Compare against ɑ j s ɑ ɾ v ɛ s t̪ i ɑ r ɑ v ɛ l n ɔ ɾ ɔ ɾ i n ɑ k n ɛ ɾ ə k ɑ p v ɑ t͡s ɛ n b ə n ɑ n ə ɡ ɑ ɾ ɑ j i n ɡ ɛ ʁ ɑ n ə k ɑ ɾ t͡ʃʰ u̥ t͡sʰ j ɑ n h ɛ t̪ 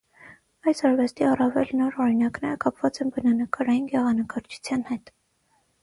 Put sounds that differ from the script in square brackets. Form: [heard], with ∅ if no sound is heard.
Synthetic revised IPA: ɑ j s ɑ ɾ v ɛ s t̪ i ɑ r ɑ v ɛ l n ɔ ɾ ɔ ɾ i n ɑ k n ɛ ɾ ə k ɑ p v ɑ t͡s ɛ n b ə n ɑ n ə [k] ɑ ɾ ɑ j i n ɡ ɛ ʁ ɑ n ə k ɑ ɾ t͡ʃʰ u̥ t͡sʰ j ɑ n h ɛ t̪